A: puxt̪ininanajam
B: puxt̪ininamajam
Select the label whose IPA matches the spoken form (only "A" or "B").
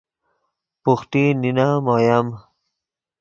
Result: B